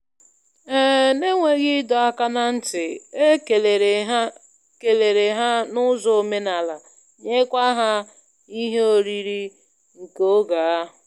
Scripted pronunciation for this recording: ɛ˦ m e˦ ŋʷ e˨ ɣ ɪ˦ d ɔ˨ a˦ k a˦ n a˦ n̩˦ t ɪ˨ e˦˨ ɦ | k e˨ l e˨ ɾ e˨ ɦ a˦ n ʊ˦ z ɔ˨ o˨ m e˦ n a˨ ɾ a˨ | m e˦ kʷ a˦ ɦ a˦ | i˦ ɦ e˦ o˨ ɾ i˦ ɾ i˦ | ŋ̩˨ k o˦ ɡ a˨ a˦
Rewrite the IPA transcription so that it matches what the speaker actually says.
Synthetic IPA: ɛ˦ n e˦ ŋʷ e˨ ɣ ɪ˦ d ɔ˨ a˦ k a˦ n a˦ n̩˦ t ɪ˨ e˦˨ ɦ | k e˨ l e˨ ɾ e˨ ɦ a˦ n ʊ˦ z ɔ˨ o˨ m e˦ n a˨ l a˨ | ɲ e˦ kʷ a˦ ɦ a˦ | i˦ ɦ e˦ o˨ ɾ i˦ ɾ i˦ | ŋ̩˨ k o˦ ɡ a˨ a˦